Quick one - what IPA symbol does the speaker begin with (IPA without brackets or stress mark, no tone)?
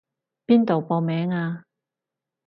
p